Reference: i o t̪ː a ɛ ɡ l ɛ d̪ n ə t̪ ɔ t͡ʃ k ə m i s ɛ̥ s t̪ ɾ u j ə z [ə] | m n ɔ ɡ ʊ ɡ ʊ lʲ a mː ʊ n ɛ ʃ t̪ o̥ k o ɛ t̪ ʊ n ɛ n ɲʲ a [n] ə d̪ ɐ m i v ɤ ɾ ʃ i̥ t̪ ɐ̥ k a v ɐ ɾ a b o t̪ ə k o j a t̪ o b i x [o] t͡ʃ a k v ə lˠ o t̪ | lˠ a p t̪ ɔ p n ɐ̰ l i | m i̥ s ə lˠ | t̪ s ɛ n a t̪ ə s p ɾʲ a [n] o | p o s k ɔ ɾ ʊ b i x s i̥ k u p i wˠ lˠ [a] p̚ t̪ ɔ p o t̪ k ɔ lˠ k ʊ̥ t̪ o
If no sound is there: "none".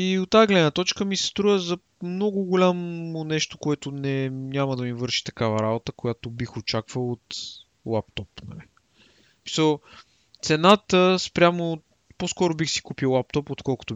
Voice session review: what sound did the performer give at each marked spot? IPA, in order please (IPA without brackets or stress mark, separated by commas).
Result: ɐ, m, o, m, a